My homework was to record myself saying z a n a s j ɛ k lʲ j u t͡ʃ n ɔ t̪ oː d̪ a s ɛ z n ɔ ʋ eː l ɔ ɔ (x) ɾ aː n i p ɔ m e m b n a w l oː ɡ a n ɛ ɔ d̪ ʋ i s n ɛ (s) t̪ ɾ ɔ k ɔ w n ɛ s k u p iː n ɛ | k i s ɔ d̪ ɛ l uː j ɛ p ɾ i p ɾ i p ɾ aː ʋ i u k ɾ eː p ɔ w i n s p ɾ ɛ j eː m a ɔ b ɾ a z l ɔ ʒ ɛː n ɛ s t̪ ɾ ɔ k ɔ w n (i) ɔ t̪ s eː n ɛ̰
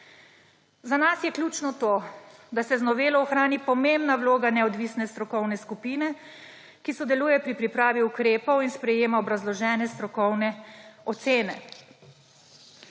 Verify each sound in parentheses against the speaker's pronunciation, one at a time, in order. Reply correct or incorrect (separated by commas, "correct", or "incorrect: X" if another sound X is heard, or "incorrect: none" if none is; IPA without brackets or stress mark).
correct, correct, incorrect: ɛ